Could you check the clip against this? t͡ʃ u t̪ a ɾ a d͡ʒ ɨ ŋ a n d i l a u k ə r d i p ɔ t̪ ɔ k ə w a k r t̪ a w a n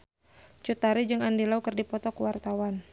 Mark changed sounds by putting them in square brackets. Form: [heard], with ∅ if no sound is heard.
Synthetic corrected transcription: t͡ʃ u t̪ a ɾ [i] d͡ʒ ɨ ŋ a n d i l a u k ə r d i p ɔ t̪ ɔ k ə w a [∅] r t̪ a w a n